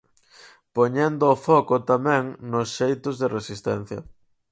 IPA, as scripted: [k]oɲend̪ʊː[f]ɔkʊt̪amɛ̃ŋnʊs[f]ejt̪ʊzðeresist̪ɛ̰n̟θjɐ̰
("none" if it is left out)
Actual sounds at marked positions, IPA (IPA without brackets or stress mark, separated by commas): p, f, ʃ